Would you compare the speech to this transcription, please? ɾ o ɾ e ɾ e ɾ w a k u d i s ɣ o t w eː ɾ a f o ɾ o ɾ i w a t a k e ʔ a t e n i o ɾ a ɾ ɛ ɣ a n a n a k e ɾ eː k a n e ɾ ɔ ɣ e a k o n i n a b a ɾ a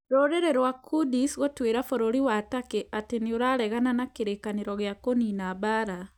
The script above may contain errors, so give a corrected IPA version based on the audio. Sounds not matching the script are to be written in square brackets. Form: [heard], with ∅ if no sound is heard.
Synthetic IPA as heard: ɾ o ɾ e ɾ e ɾ w a k u d i s ɣ o t w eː ɾ a f o ɾ o ɾ i w a t a k e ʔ a t e n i o ɾ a ɾ ɛ ɣ a n a n a k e ɾ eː k a n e ɾ ɔ ɣ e a k o n i n a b a ɾ a

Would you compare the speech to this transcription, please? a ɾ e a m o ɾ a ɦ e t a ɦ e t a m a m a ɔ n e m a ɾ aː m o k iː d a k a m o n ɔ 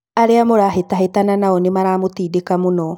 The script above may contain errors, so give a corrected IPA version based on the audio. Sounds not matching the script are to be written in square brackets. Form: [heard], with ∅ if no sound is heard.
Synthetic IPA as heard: a ɾ e a m o ɾ a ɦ e t a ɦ e t a [n] a [n] a ɔ n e m a ɾ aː m o [t] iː d [e] k a m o n ɔ

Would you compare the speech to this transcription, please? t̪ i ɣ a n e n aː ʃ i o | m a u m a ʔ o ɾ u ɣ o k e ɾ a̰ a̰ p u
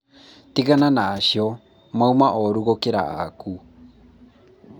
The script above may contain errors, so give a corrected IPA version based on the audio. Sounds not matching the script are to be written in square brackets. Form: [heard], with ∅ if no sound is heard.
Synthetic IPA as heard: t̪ i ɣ a n [a] n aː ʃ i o | m a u m a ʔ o ɾ u ɣ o k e ɾ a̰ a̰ [k] u

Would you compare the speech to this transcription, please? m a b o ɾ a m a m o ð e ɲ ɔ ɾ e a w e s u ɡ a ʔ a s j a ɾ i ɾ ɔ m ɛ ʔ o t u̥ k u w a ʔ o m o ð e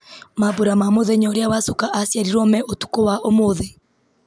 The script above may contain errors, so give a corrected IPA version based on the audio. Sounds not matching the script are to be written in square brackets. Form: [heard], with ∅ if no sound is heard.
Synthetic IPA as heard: m a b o ɾ a m a m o ð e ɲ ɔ ɾ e a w [a] s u [k] a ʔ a s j a ɾ i ɾ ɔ m ɛ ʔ o t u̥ k [o] w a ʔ o m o ð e

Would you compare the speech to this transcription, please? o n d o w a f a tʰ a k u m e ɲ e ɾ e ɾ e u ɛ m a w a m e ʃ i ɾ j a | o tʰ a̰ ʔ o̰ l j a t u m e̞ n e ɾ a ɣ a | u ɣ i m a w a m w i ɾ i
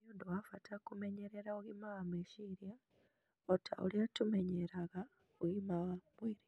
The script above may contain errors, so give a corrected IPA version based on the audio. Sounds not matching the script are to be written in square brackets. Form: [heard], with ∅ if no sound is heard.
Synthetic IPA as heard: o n d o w a f a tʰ a k u m e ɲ e ɾ e ɾ [a] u [i] m a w a m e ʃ i ɾ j a | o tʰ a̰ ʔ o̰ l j a t u m e̞ [ɲ] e ɾ a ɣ a | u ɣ i m a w a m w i ɾ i

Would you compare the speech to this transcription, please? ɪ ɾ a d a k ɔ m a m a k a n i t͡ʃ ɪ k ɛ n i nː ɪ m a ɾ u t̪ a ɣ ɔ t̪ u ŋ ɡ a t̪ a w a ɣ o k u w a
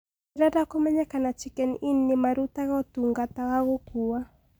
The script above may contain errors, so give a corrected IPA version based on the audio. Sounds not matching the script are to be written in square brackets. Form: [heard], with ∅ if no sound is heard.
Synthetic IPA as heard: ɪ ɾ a d a k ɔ m a [ɲ] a k a n [a] t͡ʃ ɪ k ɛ n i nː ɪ m a ɾ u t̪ a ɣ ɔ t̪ u ŋ ɡ a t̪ a w a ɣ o k u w a

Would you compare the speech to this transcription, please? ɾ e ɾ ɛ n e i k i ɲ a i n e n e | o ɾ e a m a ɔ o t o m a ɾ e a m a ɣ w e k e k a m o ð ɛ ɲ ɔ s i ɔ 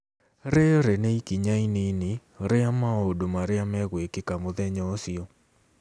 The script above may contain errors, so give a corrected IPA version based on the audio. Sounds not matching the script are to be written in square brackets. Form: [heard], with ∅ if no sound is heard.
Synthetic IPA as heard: ɾ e ɾ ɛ n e i k i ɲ a i n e n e | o ɾ e a m a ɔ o [d] o m a ɾ e a m [ɛ] ɣ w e k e k a m o ð ɛ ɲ ɔ s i ɔ

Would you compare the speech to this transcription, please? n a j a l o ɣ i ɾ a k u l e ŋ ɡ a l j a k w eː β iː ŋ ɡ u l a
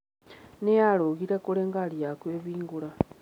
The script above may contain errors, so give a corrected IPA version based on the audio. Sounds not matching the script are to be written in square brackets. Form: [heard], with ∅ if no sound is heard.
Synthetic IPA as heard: n [e] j a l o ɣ i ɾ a k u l e ŋ ɡ a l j a k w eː β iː ŋ ɡ u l a

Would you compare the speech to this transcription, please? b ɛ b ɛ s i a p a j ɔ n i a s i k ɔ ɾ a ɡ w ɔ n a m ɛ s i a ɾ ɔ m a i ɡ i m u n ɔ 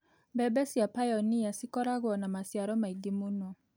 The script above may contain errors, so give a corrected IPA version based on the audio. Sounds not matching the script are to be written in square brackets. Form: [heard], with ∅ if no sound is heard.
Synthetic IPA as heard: b ɛ b ɛ s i a p a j ɔ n i a s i k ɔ ɾ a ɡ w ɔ n a m [a] s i a ɾ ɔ m a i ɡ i m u n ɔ

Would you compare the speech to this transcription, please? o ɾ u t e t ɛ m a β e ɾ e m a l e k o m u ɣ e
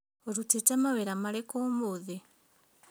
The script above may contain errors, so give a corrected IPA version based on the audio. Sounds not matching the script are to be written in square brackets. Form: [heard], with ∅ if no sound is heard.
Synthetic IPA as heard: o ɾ u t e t [a] m a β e ɾ [a] m a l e k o m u [ð] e

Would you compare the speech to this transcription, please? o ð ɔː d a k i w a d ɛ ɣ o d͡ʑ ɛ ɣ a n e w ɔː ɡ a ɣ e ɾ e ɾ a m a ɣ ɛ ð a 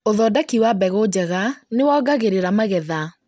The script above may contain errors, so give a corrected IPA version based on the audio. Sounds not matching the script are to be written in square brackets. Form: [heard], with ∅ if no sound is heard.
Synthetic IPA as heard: o ð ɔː d a k i w a [b] ɛ ɣ o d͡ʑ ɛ ɣ a n e w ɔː ɡ a ɣ e ɾ e ɾ a m a ɣ ɛ ð a

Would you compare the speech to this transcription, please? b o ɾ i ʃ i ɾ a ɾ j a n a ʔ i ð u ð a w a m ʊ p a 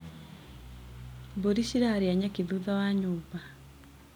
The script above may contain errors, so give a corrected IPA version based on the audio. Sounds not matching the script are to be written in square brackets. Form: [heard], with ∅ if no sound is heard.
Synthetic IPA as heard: b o ɾ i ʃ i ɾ a ɾ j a [ɲ] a [k] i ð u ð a w a [ɲ] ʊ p a

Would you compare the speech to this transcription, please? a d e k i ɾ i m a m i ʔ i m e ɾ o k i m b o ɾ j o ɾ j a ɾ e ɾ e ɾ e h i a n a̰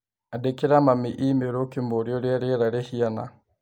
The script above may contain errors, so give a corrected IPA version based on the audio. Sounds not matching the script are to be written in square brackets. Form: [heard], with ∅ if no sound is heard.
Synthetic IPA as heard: a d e k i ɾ [a] m a m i ʔ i m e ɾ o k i m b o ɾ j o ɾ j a ɾ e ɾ [a] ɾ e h i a n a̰

